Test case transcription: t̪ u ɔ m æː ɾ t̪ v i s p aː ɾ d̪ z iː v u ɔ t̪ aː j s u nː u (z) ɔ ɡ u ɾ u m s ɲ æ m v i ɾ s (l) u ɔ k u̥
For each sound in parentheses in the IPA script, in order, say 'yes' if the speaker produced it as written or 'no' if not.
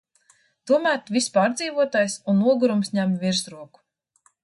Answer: no, no

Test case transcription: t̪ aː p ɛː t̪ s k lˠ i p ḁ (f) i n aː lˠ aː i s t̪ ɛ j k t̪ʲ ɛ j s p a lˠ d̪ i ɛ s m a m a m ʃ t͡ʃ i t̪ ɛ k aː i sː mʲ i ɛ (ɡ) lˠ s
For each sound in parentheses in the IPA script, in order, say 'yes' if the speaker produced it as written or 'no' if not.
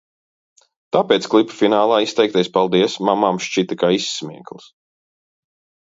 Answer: yes, no

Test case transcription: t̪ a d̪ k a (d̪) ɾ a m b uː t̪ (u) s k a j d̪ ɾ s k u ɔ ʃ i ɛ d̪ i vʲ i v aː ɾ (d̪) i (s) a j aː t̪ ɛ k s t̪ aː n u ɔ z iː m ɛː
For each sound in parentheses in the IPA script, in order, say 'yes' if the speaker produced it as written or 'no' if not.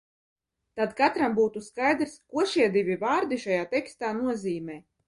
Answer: no, yes, yes, no

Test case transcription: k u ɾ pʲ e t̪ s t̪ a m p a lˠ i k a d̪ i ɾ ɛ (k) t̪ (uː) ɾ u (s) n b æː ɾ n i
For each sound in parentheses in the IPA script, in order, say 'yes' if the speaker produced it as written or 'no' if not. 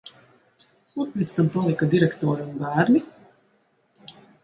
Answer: yes, no, no

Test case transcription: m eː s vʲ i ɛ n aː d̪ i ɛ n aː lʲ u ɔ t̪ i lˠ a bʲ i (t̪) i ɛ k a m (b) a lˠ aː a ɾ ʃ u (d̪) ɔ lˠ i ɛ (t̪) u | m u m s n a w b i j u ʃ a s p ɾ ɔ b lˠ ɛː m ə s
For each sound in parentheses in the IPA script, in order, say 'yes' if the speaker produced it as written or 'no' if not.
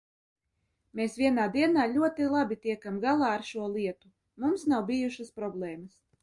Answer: yes, no, no, yes

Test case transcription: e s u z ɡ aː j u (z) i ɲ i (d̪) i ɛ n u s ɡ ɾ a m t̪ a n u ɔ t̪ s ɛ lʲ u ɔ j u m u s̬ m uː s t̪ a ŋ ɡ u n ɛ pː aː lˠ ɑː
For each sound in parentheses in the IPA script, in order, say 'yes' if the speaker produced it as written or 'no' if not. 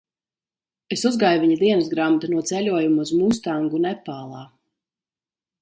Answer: no, yes

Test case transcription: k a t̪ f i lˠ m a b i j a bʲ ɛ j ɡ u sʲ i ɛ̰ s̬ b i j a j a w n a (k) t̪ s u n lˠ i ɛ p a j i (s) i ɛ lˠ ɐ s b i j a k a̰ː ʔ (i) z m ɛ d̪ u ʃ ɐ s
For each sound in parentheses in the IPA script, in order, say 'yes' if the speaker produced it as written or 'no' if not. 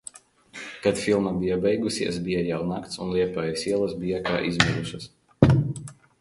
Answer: yes, yes, yes

